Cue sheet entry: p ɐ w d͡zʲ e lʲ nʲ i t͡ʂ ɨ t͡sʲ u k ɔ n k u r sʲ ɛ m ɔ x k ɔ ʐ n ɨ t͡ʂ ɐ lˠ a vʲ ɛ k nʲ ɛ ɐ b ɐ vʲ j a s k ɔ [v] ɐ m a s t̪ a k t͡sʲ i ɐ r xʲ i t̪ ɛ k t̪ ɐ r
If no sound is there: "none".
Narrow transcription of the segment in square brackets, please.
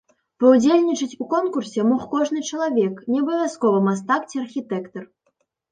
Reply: v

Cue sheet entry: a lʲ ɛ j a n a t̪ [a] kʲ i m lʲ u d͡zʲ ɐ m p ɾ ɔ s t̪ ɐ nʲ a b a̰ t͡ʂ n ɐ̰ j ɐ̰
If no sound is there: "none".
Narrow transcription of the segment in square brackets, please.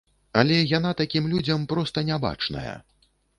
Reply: a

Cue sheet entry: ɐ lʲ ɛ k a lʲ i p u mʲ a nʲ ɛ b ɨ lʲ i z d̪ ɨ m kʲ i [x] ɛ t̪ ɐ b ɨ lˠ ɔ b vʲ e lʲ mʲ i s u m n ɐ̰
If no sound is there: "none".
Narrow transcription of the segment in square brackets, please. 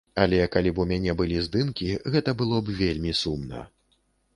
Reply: ɣ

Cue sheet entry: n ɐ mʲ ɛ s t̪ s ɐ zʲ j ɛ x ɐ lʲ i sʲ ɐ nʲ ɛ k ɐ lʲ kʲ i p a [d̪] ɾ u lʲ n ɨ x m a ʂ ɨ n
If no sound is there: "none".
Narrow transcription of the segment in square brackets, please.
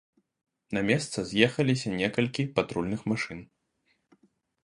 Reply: t̪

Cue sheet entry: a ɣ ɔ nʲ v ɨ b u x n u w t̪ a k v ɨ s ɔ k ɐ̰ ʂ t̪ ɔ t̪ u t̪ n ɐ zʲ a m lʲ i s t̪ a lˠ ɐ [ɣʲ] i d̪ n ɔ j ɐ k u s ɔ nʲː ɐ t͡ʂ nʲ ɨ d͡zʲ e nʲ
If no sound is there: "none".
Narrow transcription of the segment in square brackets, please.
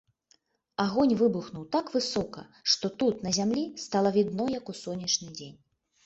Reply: vʲ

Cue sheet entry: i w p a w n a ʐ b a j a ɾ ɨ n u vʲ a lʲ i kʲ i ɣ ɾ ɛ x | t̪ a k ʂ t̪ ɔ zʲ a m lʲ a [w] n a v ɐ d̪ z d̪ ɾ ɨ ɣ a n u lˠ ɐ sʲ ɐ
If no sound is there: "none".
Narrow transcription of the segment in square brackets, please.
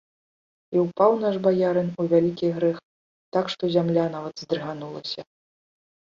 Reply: none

